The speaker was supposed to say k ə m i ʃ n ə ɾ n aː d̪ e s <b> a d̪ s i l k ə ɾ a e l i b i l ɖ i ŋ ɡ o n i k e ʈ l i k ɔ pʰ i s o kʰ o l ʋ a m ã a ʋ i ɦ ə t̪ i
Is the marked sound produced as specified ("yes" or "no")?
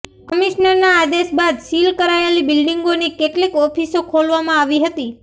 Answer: yes